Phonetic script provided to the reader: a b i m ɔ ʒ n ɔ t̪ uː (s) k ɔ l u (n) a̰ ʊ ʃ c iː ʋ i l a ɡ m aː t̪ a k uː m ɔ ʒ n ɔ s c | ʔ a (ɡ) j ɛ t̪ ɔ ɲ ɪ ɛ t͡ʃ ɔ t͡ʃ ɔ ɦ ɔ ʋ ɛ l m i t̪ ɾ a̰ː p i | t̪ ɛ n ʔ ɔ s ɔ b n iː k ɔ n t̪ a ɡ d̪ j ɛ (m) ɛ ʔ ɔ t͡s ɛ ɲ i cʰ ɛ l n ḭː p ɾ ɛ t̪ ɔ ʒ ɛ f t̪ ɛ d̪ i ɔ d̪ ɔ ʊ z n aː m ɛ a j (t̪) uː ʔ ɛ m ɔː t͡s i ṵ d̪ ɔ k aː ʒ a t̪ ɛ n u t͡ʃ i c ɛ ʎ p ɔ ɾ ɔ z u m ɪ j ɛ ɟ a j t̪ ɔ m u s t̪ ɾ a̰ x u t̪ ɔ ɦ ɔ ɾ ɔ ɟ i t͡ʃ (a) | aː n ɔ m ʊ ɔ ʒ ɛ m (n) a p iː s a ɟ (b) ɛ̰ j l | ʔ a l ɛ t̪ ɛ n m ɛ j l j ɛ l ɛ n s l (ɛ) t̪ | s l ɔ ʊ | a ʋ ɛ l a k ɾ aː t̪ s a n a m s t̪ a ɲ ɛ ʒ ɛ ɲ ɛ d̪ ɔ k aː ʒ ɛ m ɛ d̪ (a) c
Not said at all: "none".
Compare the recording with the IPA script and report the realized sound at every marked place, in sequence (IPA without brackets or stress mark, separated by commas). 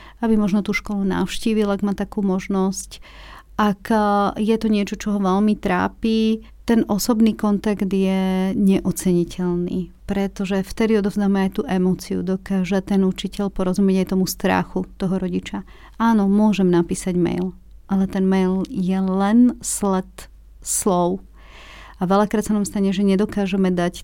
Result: ʃ, n, k, ɲ, t̪, a, n, m, ɛ, a